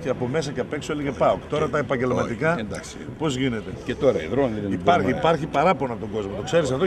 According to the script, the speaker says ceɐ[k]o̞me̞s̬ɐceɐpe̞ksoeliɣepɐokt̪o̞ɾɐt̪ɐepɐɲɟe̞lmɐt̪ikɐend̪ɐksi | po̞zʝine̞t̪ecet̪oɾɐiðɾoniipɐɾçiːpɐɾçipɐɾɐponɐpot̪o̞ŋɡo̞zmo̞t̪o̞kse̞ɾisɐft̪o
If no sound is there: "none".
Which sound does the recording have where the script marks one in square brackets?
p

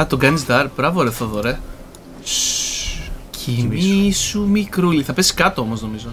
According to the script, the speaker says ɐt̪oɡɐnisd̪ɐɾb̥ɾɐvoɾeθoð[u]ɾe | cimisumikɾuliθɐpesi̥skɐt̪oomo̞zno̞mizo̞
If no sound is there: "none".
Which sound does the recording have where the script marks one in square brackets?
o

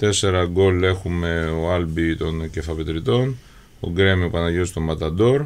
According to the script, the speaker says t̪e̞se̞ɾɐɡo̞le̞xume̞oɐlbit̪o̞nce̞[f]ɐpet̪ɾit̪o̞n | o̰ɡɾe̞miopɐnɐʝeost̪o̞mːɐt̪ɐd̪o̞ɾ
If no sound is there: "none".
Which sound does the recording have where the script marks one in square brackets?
f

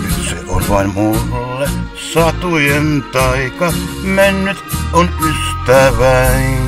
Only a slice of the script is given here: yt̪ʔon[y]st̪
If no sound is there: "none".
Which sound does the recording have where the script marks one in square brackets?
y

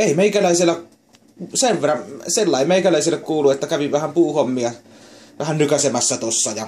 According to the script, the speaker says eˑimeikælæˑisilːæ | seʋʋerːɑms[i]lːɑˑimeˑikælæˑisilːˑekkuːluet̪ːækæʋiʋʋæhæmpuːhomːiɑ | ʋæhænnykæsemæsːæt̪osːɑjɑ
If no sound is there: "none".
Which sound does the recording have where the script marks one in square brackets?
e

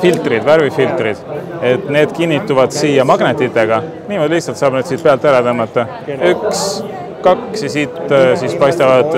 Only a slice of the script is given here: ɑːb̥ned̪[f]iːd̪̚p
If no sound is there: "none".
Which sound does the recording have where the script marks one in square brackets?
s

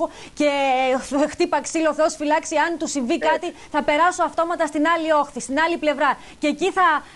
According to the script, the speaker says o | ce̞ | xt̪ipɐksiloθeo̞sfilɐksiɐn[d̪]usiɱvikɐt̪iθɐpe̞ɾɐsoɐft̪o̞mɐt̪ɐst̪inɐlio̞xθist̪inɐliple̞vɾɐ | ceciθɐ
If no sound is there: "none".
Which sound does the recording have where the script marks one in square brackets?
t̪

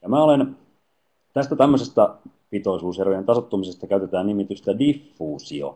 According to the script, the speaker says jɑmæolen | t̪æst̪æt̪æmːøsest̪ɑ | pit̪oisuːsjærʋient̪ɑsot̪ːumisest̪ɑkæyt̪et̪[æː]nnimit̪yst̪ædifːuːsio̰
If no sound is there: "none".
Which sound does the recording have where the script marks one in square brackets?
æː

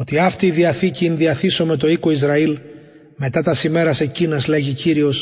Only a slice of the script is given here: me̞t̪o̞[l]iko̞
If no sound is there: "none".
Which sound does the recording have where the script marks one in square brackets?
none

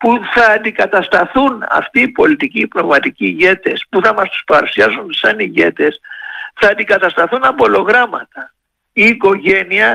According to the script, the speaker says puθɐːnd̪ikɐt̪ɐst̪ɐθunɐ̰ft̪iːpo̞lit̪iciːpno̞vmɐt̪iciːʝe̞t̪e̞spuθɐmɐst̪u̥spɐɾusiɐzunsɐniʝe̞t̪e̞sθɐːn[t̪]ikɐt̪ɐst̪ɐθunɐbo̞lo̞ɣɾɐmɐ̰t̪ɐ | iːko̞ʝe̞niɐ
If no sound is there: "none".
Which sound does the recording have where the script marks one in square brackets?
d̪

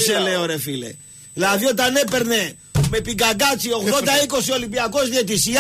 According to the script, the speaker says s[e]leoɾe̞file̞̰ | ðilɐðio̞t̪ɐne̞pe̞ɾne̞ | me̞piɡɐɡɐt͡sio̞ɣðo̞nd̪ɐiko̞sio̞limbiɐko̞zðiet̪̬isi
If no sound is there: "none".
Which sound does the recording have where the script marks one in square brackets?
e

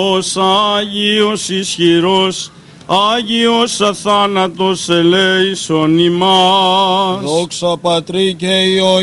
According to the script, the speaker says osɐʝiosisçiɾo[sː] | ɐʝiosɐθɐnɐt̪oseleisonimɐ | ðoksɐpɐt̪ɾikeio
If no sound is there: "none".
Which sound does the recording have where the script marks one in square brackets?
s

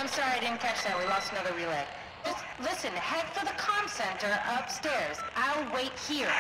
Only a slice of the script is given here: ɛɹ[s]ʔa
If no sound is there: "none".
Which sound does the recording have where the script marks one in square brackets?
z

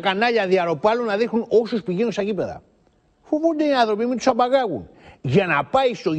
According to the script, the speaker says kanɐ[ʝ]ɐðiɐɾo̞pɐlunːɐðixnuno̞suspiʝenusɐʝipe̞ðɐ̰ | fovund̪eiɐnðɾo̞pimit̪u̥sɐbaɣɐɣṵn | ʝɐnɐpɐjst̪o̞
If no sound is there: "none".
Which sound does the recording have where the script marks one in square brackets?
ʎ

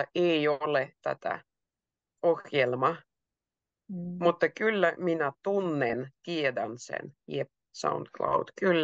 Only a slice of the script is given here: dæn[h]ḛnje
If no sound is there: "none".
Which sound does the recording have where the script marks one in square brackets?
s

